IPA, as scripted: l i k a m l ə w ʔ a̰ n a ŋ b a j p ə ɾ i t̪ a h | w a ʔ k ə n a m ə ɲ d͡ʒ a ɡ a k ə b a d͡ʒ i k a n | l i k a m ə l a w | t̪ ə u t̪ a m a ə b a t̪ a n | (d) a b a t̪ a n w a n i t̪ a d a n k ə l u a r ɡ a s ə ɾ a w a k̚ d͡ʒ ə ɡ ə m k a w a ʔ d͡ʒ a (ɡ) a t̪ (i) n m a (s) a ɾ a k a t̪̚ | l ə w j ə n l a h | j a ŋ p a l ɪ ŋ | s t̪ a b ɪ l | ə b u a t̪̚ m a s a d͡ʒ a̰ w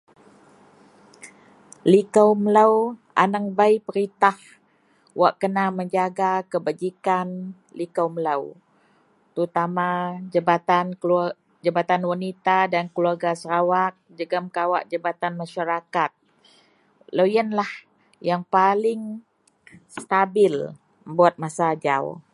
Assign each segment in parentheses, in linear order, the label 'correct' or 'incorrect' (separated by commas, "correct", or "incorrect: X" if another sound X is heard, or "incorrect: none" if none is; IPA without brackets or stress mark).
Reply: incorrect: d͡ʒ, incorrect: b, incorrect: a, incorrect: ʃ